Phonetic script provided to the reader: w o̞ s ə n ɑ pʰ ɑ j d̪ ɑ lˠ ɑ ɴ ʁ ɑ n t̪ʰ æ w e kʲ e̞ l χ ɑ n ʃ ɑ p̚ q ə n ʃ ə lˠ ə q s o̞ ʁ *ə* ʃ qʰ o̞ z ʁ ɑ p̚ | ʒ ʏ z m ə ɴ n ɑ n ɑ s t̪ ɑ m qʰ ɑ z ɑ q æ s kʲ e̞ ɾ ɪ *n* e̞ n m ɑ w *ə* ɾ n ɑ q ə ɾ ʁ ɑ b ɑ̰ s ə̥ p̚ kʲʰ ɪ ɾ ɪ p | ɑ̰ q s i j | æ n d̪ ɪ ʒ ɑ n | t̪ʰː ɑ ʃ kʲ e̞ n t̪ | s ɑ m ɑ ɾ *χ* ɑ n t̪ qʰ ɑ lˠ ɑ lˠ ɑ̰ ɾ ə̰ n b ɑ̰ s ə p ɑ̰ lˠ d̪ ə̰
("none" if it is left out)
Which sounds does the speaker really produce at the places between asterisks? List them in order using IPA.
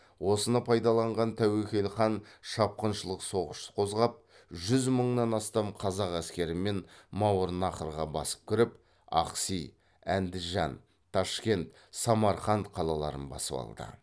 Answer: ə, m, ə, χ

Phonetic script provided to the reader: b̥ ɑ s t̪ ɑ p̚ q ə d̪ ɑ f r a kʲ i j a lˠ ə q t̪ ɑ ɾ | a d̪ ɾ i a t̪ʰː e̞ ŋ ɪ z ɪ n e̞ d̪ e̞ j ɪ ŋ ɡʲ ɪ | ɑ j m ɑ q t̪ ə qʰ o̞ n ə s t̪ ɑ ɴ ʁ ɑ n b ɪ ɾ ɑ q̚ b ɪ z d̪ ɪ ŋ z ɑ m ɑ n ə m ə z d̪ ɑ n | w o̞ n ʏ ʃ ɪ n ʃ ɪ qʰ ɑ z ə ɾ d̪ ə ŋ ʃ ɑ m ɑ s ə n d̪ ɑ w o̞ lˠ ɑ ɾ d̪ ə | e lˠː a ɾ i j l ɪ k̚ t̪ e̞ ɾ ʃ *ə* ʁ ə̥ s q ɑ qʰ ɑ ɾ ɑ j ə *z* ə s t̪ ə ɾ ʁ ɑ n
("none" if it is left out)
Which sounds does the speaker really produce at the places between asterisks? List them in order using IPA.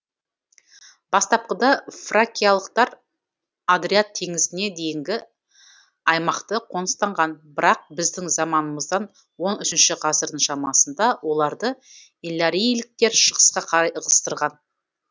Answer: ə, ʁ

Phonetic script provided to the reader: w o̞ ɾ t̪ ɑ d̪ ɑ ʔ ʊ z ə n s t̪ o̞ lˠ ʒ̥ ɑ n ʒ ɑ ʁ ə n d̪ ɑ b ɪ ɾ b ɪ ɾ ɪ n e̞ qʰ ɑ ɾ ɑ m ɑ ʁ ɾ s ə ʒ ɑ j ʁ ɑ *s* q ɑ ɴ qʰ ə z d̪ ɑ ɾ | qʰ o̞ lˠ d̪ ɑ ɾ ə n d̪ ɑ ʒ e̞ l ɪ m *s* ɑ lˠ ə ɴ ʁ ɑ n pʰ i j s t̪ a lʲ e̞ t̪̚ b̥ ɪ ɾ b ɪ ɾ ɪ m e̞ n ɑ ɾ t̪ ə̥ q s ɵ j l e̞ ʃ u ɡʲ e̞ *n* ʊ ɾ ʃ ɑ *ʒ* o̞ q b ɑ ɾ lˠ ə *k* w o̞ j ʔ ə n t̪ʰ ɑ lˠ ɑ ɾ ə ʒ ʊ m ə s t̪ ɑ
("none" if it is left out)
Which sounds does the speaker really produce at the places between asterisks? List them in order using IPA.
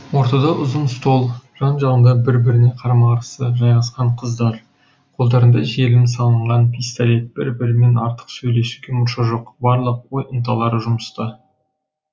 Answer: s, s, m, ʒ, q

